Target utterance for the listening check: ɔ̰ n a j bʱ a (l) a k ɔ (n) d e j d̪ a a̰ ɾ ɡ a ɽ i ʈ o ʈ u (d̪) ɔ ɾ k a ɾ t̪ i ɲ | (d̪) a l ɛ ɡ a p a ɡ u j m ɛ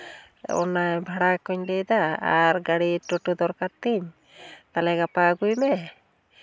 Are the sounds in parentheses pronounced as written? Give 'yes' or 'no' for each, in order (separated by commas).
no, no, yes, no